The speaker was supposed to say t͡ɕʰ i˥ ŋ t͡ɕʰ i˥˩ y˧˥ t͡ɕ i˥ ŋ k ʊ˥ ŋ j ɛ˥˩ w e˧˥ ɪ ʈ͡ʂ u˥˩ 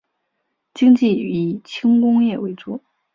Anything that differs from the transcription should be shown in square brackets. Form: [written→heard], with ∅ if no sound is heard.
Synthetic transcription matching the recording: [t͡ɕʰ→t͡ɕ] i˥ ŋ [t͡ɕʰ→t͡ɕ] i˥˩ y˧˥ [t͡ɕ→t͡ɕʰ] i˥ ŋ k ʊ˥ ŋ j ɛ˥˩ w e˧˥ ɪ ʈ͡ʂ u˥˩